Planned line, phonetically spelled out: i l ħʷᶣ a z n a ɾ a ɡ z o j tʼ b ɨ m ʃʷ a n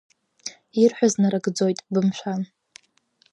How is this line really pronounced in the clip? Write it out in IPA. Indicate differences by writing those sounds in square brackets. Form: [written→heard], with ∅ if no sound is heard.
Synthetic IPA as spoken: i [l→r] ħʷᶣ a z n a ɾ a ɡ [z→d͡z] o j tʼ b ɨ m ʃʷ a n